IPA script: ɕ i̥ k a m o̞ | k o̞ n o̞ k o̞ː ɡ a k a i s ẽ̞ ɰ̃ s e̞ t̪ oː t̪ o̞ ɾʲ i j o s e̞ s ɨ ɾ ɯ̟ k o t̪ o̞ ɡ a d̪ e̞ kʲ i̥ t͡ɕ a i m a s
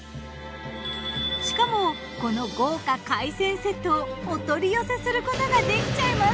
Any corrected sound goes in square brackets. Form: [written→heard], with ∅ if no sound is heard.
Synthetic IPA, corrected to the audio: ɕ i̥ k a m o̞ | k o̞ n o̞ [k→ɡ] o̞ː [ɡ→k] a k a i s ẽ̞ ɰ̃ s e̞ t̪ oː t̪ o̞ ɾʲ i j o s e̞ s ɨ ɾ ɯ̟ k o t̪ o̞ ɡ a d̪ e̞ kʲ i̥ t͡ɕ a i m a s